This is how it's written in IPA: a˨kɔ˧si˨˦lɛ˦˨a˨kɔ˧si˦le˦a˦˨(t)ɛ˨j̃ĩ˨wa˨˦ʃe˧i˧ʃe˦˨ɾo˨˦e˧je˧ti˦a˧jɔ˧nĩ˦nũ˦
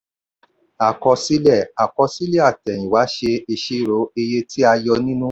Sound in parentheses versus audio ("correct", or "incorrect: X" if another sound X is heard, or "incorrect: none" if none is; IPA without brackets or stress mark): correct